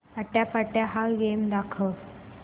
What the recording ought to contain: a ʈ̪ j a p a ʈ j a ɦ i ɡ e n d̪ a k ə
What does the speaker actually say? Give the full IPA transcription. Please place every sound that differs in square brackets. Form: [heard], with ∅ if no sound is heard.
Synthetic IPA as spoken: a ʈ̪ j a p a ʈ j a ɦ [a] ɡ e [m] d̪ a [kʰ] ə